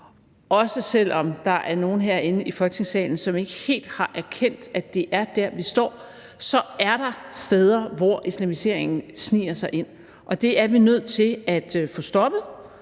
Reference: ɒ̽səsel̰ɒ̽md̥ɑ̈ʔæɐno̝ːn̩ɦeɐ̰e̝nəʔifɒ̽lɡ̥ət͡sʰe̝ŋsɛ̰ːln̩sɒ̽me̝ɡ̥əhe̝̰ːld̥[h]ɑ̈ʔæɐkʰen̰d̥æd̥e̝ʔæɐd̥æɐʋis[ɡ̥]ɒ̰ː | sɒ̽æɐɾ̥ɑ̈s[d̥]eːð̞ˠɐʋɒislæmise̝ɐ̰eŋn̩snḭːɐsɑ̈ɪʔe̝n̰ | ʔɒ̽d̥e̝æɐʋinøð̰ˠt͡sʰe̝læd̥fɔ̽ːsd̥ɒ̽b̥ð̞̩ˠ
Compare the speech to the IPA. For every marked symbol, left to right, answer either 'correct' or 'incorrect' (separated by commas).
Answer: correct, incorrect, correct